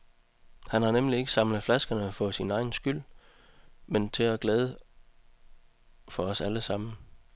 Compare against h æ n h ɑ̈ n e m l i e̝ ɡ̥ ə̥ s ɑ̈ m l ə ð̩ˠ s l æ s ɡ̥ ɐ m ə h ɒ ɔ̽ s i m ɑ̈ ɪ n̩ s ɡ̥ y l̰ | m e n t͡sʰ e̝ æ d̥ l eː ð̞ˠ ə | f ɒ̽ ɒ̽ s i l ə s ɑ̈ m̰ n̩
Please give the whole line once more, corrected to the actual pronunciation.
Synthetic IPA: h æ n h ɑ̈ n e m l i e̝ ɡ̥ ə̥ s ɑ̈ m l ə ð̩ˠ f l æ s ɡ̥ ɐ n ə f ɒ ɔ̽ s i n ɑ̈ ɪ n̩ s ɡ̥ y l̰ | m e n t͡sʰ e̝ æ ɡ̥ l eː ð̞ˠ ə | f ɒ̽ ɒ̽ s æ l ə s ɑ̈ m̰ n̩

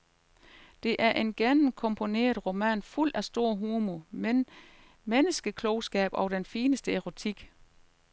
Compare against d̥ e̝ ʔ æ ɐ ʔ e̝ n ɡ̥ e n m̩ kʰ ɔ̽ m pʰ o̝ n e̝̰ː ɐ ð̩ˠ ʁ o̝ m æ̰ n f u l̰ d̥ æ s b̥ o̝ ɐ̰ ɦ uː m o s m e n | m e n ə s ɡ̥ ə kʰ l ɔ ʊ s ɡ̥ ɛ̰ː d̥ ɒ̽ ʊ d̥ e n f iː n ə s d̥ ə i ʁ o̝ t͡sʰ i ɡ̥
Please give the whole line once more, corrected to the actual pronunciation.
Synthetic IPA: d̥ e̝ ʔ æ ɐ ʔ e̝ n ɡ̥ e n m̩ kʰ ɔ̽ m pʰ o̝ n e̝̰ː ɐ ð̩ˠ ʁ o̝ m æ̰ n f u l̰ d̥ æ s d̥ o̝ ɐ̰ ɦ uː m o m e n | m e n ə s ɡ̥ ə kʰ l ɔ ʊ s ɡ̥ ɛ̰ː b̥ ɒ̽ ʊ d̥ e n f iː n ə s d̥ ə e ʁ o̝ t͡sʰ i ɡ̥

